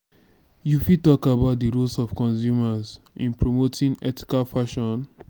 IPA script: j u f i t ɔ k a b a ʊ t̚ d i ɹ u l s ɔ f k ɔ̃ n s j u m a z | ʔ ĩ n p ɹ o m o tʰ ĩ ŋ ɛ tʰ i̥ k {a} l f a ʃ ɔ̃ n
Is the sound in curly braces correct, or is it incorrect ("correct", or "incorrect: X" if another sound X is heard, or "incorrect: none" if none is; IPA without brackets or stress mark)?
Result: correct